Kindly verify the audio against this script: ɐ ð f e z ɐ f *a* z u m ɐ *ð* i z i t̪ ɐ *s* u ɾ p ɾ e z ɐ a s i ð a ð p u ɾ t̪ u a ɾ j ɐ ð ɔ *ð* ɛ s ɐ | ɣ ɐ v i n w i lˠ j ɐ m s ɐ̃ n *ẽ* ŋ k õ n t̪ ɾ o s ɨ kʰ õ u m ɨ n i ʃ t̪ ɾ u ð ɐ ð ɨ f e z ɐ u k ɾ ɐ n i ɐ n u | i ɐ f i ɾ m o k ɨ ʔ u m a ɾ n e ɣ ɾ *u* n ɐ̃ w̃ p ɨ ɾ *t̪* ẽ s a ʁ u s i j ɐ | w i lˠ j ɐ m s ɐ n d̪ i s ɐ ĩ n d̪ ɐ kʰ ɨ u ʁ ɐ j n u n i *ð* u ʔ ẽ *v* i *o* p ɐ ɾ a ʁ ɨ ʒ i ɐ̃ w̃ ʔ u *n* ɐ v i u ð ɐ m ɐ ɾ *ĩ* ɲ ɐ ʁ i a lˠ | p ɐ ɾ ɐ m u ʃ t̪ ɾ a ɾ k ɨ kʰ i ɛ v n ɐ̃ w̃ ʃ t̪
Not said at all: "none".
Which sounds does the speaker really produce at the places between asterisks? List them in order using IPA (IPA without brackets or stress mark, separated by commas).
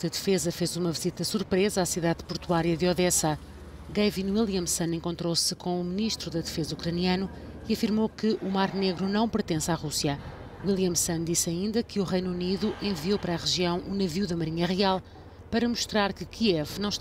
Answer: e, v, s, ð, ẽ, u, t̪, ð, v, o, n, i